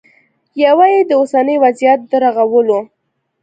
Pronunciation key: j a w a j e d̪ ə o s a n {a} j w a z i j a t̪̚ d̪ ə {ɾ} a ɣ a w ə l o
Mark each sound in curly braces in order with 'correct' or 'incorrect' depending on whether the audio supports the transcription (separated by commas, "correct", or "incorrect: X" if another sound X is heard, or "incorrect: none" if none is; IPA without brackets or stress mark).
incorrect: ə, correct